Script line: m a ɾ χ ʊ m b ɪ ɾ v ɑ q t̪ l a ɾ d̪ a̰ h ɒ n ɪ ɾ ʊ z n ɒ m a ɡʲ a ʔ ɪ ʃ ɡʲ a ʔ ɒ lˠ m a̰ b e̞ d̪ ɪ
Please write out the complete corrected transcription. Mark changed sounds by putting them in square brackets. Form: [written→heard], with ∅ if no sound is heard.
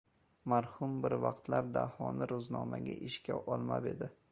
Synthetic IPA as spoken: m a ɾ [χ→h] ʊ m b ɪ ɾ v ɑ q t̪ l a ɾ d̪ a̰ h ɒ n ɪ ɾ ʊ z n ɒ m a ɡʲ a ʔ ɪ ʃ [ɡʲ→kʲ] a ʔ ɒ lˠ m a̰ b e̞ d̪ ɪ

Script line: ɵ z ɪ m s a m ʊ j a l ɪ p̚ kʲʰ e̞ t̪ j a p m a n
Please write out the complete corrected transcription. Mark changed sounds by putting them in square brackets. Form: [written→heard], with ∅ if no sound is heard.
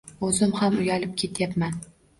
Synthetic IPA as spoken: ɵ z ɪ m [s→h] a m ʊ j a l ɪ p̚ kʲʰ e̞ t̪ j a p m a n

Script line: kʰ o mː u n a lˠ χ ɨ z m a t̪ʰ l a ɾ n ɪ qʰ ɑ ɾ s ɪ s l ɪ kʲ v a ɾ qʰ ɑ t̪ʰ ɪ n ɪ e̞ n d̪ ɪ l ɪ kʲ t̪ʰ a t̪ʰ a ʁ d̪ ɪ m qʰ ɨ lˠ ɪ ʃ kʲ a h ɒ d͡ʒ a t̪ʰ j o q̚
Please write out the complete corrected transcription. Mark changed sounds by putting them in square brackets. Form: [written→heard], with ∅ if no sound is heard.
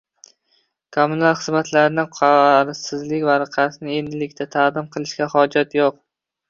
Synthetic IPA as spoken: kʰ o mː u n a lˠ χ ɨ z m a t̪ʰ l a ɾ n ɪ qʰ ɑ ɾ s ɪ [s→z] l ɪ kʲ v a ɾ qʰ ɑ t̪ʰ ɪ n ɪ e̞ n d̪ ɪ l ɪ kʲ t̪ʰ a t̪ʰ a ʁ d̪ ɪ m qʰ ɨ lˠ ɪ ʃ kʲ a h ɒ d͡ʒ a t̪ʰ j o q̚

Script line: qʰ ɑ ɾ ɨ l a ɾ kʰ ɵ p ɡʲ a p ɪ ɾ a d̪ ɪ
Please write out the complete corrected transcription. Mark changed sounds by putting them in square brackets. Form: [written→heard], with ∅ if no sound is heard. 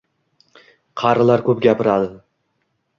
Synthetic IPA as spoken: qʰ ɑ ɾ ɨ l a ɾ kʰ ɵ p ɡʲ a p ɪ ɾ a d̪ ɪ

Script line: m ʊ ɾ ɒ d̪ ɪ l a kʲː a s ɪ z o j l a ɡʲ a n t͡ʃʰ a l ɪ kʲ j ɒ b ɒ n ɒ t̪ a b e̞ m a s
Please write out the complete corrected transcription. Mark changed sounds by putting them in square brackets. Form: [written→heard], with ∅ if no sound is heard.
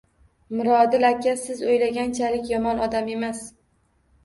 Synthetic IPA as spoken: m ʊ ɾ ɒ d̪ ɪ l a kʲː a s ɪ z o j l a ɡʲ a n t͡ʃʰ a l ɪ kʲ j ɒ [b→m] ɒ n ɒ [t̪→d̪] a [b→m] e̞ m a s

